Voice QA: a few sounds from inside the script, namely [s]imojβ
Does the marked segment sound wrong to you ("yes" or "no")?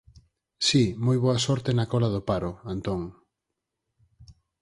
no